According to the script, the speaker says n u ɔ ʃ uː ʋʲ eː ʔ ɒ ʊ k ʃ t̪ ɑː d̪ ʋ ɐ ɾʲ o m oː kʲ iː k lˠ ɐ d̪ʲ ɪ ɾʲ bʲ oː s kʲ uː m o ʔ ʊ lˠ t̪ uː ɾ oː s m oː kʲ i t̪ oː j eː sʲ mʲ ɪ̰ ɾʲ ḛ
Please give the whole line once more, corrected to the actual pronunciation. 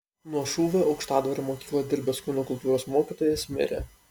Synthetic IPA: n u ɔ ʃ uː ʋʲ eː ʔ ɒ ʊ k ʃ t̪ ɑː d̪ ʋ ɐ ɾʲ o m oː kʲ iː k lˠ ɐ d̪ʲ ɪ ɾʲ bʲ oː s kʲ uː n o k ʊ lˠ t̪ uː ɾ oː s m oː kʲ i t̪ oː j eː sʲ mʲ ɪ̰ ɾʲ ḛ